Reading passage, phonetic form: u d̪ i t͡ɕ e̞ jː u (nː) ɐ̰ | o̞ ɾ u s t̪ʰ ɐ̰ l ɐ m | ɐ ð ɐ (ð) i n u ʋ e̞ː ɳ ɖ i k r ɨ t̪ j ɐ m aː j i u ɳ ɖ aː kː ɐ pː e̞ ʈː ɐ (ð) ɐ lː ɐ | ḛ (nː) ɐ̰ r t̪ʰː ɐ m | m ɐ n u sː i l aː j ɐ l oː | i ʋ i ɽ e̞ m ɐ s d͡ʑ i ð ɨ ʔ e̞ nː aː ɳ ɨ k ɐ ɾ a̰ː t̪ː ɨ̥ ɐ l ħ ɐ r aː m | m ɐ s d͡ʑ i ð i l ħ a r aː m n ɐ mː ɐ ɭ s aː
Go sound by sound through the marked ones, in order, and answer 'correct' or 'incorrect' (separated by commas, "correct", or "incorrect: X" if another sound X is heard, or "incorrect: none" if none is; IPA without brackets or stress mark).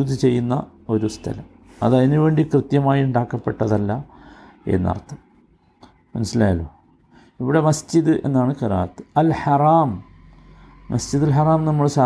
correct, correct, correct, correct